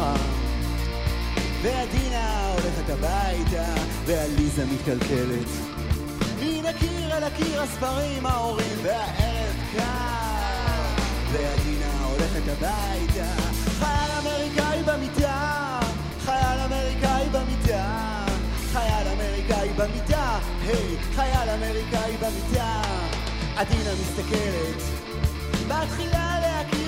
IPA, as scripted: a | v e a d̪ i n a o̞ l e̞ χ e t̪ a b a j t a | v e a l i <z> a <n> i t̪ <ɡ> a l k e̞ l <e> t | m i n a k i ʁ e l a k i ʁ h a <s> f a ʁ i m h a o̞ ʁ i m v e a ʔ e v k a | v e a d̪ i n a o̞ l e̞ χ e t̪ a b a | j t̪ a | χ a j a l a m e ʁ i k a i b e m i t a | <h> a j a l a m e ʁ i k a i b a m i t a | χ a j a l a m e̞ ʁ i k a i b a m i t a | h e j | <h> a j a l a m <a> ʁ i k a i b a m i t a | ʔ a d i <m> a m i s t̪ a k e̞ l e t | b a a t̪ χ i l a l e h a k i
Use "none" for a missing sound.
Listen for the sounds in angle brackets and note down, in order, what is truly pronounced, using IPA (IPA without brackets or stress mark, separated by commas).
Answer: z, m, k, e, s, χ, χ, e, n